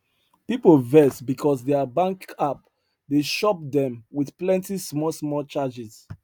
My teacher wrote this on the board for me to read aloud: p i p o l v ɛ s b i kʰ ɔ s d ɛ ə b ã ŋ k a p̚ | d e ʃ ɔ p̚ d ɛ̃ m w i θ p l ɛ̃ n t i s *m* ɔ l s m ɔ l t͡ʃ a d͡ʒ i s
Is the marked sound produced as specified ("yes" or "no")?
yes